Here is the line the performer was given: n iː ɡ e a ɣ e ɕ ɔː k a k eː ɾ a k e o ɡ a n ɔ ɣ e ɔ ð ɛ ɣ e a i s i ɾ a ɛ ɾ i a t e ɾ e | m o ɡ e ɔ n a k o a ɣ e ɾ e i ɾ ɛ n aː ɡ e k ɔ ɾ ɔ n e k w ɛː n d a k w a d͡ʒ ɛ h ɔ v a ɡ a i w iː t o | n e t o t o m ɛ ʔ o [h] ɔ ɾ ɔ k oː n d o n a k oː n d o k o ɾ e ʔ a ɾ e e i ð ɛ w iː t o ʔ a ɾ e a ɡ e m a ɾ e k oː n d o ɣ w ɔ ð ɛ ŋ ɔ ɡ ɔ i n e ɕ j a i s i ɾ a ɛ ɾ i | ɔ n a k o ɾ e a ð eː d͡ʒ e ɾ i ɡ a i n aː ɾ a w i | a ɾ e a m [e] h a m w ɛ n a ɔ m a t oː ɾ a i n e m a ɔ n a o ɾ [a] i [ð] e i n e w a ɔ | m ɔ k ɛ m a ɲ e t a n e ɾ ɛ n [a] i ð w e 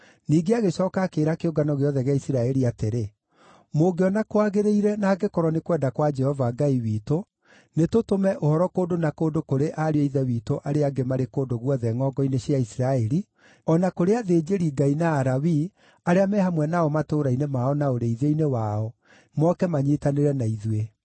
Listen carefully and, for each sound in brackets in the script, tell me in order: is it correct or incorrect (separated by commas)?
correct, incorrect, incorrect, correct, correct